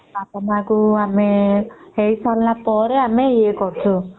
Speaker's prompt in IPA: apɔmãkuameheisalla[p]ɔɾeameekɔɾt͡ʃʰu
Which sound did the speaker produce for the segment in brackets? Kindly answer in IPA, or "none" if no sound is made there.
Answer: p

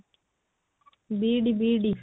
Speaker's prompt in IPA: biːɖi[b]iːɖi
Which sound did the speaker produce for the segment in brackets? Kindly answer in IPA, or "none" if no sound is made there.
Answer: b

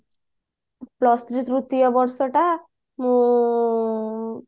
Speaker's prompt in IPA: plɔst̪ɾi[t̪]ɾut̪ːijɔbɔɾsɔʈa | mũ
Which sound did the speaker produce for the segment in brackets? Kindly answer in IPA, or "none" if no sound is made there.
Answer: t̪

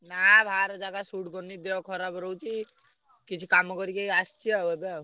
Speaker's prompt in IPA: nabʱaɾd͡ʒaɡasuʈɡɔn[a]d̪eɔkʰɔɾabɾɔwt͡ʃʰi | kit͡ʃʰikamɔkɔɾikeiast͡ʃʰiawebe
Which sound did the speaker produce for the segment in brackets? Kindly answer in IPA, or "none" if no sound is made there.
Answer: i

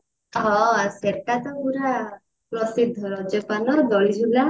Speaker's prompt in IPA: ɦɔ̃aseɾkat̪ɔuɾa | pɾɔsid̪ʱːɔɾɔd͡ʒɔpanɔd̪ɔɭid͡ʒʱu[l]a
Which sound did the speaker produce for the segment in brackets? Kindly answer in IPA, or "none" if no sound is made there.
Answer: l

